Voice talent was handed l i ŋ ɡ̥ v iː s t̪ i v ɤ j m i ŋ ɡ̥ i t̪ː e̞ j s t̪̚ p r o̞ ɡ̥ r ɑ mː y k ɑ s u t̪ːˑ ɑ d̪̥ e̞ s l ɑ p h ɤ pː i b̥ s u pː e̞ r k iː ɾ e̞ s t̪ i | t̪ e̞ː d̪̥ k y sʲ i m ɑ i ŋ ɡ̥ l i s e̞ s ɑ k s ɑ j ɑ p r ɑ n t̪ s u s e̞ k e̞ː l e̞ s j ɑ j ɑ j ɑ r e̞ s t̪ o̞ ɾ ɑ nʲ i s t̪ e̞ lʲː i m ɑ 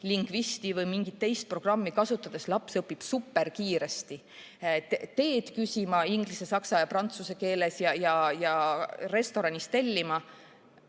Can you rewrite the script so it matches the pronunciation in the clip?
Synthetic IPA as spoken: l i ŋ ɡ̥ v i s t̪ i v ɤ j m i ŋ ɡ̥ i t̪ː e̞ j s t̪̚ p r o̞ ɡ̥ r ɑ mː i k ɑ s u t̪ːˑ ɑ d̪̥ e̞ s l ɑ p s ɤ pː i b̥ s u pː e̞ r k iː ɾ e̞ s t̪ i | t̪ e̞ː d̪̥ k y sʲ i m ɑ i ŋ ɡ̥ l i s e̞ s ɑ k s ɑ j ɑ p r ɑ n t̪ s u s e̞ k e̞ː l e̞ s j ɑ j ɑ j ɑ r e̞ s t̪ o̞ ɾ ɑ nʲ i s t̪ e̞ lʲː i m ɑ